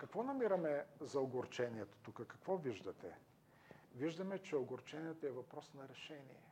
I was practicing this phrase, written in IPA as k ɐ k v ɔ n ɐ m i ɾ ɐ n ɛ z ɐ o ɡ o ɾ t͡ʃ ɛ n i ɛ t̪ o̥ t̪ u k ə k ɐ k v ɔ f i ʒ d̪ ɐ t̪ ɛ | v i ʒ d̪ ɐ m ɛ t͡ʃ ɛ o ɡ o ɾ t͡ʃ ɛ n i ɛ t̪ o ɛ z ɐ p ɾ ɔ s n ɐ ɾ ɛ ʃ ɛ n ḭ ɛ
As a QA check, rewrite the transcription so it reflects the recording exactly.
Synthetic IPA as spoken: k ɐ k v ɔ n ɐ m i ɾ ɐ m ɛ z ɐ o ɡ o ɾ t͡ʃ ɛ n i ɛ t̪ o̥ t̪ u k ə k ɐ k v ɔ v i ʒ d̪ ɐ t̪ ɛ | v i ʒ d̪ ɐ m ɛ t͡ʃ ɛ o ɡ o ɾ t͡ʃ ɛ n i ɛ t̪ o ɛ v ɐ p ɾ ɔ s n ɐ ɾ ɛ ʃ ɛ n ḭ ɛ